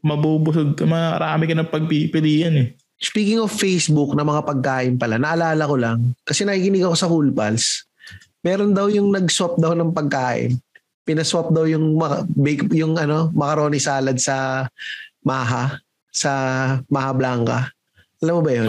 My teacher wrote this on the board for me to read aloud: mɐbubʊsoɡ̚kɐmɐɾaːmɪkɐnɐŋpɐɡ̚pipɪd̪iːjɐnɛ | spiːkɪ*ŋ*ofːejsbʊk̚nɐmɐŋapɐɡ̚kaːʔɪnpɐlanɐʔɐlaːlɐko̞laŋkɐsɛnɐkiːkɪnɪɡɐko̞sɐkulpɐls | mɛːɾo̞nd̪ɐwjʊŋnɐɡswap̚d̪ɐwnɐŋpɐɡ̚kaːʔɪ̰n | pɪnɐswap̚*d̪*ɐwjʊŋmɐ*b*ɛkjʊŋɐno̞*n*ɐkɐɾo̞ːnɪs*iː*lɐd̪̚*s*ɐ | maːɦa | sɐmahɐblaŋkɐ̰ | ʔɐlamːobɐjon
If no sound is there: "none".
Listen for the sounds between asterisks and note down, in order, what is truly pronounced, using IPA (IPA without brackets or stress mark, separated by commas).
ŋ, d̪, b, m, aː, s